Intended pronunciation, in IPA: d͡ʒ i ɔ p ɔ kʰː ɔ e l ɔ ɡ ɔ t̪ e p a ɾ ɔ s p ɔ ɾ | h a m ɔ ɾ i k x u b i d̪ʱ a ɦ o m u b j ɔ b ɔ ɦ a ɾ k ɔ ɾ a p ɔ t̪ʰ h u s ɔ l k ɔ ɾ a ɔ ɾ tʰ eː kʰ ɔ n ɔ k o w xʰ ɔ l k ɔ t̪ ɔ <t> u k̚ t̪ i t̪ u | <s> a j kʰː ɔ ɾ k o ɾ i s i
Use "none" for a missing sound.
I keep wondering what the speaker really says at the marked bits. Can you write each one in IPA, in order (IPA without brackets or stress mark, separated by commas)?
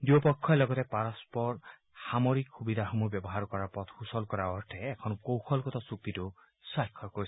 s, s